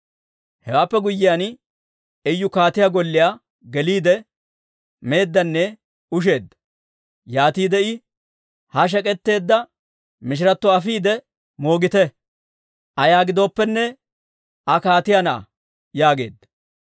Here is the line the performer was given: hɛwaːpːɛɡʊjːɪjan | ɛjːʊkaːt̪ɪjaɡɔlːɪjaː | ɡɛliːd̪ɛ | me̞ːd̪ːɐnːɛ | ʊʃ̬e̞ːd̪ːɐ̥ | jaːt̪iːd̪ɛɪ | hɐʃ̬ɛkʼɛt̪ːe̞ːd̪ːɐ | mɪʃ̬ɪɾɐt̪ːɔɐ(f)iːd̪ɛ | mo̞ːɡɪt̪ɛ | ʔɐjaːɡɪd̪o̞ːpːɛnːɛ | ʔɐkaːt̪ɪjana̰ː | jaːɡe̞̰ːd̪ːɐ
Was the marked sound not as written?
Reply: no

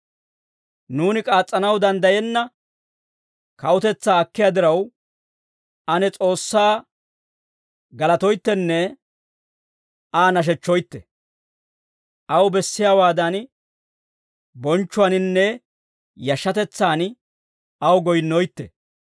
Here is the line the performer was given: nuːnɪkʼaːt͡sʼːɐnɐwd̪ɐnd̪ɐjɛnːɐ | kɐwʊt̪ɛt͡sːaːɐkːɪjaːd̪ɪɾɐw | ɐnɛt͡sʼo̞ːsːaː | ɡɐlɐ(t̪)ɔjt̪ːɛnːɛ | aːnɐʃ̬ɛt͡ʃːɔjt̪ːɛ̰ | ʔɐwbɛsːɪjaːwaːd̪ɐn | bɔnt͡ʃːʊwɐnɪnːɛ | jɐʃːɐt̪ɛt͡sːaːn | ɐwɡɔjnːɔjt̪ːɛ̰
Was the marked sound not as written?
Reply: no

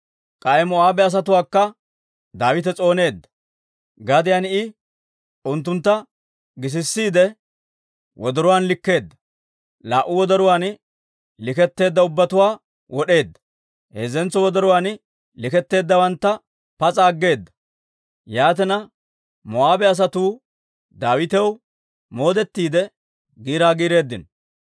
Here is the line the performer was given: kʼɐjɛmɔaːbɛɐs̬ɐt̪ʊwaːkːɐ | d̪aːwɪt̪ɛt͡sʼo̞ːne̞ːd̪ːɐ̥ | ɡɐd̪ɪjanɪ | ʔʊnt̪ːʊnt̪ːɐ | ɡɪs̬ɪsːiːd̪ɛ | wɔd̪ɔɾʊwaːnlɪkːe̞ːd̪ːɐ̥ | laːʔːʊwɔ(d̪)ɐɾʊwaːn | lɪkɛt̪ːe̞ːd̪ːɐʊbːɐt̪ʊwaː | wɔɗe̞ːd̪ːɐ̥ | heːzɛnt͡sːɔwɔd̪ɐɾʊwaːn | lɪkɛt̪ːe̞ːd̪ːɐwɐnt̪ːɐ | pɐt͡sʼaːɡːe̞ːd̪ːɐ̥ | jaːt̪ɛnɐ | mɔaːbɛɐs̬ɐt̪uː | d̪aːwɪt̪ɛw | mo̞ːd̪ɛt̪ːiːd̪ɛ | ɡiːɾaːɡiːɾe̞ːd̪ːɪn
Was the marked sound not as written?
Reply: no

